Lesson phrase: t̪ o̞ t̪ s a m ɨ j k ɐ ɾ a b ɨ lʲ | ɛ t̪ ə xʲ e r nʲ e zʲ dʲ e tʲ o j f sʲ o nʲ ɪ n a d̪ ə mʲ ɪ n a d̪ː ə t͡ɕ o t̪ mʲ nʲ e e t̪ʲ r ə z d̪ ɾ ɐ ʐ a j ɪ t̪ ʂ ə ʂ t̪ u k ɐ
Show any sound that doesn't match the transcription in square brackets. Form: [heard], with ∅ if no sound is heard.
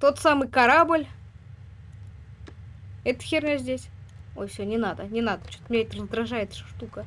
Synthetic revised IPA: t̪ o̞ t̪ s a m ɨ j k ɐ ɾ a b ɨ lʲ | ɛ t̪ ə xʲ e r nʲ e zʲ dʲ e [sʲ] o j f sʲ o nʲ ɪ n a d̪ ə [nʲ] ɪ n a [d̪] ə t͡ɕ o t̪ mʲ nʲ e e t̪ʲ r ə z d̪ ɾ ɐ ʐ a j ɪ t̪ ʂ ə ʂ t̪ u k [ə]